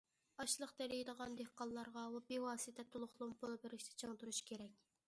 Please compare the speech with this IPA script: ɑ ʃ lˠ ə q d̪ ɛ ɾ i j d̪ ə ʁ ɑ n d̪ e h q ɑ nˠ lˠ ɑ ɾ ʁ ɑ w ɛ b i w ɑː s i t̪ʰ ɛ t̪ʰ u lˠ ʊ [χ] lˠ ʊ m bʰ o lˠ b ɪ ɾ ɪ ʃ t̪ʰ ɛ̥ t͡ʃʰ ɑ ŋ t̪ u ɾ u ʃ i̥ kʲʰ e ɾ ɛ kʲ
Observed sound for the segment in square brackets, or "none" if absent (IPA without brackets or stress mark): χ